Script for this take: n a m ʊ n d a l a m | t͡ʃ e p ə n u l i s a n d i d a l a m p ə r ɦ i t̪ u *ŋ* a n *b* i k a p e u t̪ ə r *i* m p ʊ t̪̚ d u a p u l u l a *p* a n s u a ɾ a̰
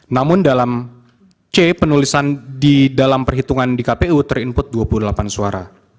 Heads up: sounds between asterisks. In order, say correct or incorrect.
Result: correct, incorrect: d, correct, correct

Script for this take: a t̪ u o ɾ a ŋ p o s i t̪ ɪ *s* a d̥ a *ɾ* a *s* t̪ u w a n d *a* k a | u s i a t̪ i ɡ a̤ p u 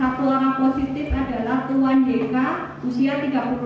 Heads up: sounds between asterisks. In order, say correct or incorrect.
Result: incorrect: f, incorrect: l, incorrect: h, incorrect: e

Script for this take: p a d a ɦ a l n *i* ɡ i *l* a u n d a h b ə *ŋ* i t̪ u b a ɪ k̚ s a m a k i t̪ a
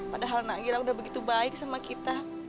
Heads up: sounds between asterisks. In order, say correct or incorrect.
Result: incorrect: a, correct, incorrect: ɡ

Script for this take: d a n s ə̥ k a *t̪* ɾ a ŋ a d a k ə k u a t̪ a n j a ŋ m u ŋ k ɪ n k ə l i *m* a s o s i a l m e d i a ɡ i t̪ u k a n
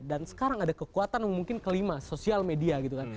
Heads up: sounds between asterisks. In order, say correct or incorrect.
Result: incorrect: none, correct

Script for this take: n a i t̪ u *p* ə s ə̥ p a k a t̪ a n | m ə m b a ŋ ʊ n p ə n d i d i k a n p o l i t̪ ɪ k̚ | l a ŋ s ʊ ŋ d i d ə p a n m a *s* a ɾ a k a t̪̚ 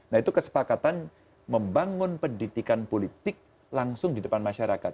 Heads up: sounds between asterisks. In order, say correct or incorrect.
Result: incorrect: k, incorrect: ʃ

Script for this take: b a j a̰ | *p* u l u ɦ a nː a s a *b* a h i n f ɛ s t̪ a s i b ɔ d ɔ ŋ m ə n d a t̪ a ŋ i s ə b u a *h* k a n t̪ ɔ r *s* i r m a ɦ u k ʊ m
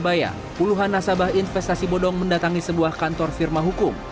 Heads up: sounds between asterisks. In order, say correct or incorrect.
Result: correct, correct, correct, incorrect: f

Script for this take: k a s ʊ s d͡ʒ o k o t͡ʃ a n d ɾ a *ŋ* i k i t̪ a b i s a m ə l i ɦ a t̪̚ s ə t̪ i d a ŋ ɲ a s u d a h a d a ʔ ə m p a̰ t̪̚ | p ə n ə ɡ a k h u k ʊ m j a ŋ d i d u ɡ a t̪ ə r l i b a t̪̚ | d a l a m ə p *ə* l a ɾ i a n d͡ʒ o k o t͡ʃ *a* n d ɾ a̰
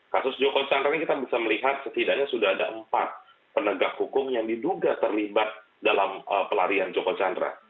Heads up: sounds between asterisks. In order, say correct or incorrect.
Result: incorrect: n, correct, correct

